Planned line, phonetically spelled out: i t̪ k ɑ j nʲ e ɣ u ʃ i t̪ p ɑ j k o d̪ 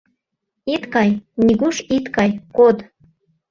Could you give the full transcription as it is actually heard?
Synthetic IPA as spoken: i t̪ k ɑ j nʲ i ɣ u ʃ i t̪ k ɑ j k o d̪